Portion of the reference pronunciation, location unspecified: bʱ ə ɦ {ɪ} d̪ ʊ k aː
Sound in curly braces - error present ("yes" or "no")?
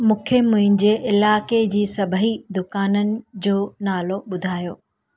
yes